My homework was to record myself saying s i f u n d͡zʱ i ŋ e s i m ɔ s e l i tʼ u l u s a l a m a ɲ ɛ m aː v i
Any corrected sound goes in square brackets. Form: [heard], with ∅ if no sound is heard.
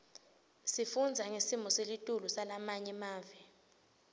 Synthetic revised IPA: s i f u n d͡zʱ [a] ŋ e s i m ɔ s e l i tʼ u l u s a l a m a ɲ ɛ m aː v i

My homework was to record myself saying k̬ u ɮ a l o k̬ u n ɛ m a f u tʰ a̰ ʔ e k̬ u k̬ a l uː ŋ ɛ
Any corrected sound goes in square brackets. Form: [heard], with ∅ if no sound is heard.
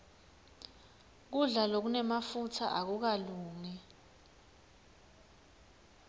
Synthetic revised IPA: k̬ u ɮ a l o k̬ u n ɛ m a f u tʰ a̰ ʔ [a] k̬ u k̬ a l uː ŋ ɛ

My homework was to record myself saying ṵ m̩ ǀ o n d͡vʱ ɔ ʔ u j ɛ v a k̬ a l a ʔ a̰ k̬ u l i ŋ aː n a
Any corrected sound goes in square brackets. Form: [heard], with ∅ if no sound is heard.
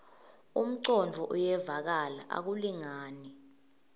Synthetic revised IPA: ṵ m̩ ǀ [ɔ] n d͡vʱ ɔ ʔ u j ɛ v a k̬ a l a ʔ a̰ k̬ u l i ŋ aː n [i]

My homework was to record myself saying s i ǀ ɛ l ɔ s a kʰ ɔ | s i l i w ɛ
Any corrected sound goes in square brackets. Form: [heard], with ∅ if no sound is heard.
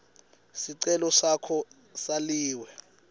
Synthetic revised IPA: s i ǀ ɛ l ɔ s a kʰ ɔ | s [a] l [iː] w ɛ

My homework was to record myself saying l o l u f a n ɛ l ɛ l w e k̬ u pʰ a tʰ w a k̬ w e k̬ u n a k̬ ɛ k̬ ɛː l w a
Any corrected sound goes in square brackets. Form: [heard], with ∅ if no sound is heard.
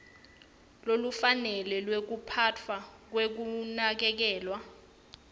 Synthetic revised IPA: l o l u f a n ɛ l ɛ l w e k̬ u pʰ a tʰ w a k̬ w e k̬ u n a k̬ ɛ k̬ ɛː l w a

